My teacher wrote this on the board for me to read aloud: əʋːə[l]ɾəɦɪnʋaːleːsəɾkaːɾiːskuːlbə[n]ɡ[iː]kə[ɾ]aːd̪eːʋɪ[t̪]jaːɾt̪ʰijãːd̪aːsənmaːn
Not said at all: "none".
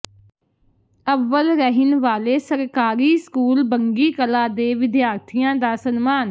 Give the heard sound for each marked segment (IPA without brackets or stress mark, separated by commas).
l, ŋ, iː, l, d̪